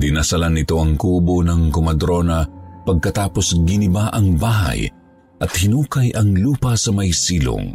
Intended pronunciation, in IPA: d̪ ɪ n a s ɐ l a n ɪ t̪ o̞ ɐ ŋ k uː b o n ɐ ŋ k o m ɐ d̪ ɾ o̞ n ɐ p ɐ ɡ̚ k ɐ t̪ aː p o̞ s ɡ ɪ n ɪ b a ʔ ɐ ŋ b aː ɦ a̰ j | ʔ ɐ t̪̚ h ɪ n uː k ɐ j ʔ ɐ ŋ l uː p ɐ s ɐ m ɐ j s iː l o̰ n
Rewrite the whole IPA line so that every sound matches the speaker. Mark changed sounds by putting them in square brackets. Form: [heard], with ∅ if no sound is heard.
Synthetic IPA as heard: d̪ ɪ n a s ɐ l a n ɪ t̪ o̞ ɐ ŋ k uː b o n ɐ ŋ k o m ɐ d̪ ɾ o̞ n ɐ p ɐ ɡ̚ k ɐ t̪ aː p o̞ s ɡ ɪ n ɪ b a ʔ ɐ ŋ b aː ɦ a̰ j | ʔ ɐ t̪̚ h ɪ n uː k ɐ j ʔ ɐ ŋ l uː p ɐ s ɐ m ɐ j s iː l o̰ [ŋ]